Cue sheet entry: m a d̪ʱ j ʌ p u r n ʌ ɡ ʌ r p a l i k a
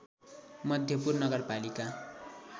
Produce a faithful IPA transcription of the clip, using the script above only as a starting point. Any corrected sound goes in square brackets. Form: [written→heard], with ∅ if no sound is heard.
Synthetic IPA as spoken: m [a→ʌ] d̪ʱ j ʌ p u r n ʌ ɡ ʌ r p a l i k a